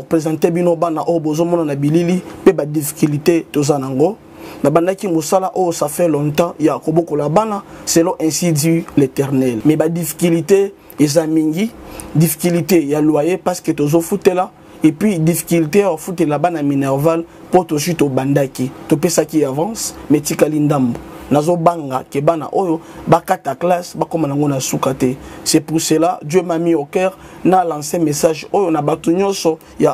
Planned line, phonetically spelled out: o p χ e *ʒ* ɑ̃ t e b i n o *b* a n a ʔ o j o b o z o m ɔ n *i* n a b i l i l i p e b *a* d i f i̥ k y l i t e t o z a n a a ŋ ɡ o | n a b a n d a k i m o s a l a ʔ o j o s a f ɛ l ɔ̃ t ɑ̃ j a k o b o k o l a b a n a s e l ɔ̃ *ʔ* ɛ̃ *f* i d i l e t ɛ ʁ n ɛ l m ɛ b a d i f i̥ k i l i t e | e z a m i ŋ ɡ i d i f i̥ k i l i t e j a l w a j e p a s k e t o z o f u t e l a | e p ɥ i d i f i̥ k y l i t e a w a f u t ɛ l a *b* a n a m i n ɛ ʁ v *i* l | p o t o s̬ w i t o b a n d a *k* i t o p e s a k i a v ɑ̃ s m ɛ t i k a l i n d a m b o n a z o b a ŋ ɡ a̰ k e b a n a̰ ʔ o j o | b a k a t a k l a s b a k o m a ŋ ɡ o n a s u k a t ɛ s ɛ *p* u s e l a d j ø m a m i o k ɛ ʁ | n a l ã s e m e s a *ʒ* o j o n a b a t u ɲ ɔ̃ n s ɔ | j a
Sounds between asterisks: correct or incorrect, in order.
incorrect: z, correct, incorrect: a, correct, correct, incorrect: s, correct, incorrect: a, correct, correct, correct

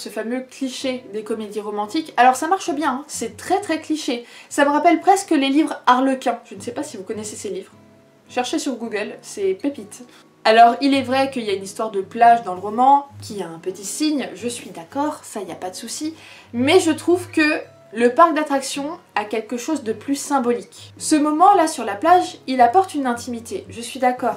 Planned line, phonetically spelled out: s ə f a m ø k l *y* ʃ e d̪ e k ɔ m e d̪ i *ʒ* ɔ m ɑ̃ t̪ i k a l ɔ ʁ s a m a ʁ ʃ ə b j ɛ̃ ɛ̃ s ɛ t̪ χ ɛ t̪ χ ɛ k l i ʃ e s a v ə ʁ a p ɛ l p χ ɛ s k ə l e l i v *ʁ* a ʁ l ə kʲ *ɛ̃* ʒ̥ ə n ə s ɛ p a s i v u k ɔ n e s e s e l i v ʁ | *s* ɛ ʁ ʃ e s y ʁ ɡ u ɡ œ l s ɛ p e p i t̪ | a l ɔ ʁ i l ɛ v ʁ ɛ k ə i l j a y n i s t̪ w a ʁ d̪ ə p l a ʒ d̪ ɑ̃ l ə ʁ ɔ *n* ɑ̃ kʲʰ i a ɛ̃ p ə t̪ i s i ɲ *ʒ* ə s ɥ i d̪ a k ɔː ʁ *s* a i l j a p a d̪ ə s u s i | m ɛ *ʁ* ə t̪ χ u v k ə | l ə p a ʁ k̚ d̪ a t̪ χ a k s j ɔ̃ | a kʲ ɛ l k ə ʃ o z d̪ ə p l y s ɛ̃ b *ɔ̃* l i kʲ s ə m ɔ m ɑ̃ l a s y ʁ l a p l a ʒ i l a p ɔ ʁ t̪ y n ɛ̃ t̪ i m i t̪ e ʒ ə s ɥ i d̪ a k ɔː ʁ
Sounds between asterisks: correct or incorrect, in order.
incorrect: i, incorrect: ʁ, correct, correct, incorrect: ʃ, incorrect: m, correct, correct, incorrect: ʒ, incorrect: ɔ

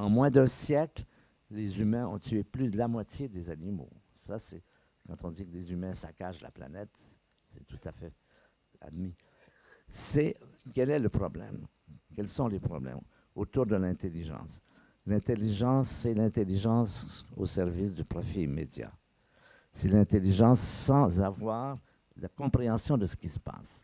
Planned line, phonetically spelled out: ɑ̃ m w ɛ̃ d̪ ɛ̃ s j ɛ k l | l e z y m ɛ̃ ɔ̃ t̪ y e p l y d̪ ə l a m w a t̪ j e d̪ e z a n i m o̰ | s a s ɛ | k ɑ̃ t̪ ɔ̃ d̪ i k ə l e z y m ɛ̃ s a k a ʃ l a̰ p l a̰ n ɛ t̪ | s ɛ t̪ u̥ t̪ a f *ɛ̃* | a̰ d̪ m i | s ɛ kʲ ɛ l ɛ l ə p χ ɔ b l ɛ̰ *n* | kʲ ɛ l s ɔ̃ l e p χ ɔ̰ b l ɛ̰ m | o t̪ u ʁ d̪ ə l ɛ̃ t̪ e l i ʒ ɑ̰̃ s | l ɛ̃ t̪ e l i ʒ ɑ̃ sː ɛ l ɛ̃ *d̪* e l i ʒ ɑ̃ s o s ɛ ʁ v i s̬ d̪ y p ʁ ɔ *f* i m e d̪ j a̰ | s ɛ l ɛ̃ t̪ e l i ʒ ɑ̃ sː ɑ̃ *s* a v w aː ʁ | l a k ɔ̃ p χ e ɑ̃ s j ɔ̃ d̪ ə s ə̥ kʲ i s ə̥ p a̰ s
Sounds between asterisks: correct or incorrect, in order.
incorrect: ɛ, incorrect: m, incorrect: t̪, correct, incorrect: z

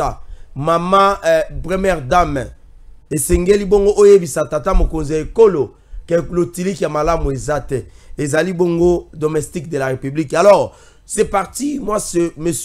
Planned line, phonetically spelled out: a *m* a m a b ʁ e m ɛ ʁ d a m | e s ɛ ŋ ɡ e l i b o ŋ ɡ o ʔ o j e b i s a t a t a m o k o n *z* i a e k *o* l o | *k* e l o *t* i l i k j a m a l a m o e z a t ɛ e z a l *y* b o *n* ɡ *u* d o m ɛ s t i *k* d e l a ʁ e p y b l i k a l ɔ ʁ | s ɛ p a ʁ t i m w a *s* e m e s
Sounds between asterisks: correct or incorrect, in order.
correct, correct, correct, correct, correct, incorrect: i, incorrect: ŋ, incorrect: o, correct, correct

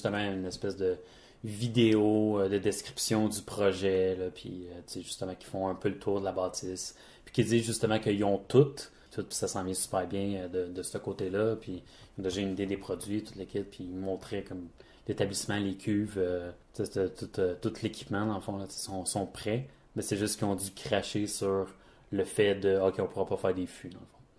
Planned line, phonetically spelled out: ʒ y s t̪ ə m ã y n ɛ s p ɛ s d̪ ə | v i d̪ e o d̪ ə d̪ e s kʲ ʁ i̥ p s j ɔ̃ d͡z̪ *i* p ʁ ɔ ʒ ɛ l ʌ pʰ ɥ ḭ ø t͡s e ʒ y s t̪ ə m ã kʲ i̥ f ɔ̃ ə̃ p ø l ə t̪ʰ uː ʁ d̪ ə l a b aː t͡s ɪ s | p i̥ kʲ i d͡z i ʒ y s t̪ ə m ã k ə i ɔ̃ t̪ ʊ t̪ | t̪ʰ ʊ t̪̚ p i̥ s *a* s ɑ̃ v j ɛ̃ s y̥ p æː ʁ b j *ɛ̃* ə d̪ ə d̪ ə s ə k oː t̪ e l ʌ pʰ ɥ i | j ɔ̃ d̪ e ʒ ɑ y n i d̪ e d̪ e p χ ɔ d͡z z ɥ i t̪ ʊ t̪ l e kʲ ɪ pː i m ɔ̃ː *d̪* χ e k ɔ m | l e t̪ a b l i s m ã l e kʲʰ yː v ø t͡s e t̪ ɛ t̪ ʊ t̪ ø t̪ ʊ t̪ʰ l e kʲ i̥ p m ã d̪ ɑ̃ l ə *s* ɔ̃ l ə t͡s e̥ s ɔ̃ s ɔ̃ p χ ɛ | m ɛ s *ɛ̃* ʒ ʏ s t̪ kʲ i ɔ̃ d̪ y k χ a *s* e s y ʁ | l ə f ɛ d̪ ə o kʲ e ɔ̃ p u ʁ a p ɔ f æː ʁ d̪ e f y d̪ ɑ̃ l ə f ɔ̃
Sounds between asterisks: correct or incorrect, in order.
incorrect: y, correct, correct, incorrect: t̪, incorrect: f, incorrect: ɛ, incorrect: ʃ

